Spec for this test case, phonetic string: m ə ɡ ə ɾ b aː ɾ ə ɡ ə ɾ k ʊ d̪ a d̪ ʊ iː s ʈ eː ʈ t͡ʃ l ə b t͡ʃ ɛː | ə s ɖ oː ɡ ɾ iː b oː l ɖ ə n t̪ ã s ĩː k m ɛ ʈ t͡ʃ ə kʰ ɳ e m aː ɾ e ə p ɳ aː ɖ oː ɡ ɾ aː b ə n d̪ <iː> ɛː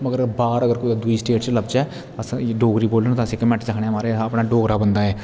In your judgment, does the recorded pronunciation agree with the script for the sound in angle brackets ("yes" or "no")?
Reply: no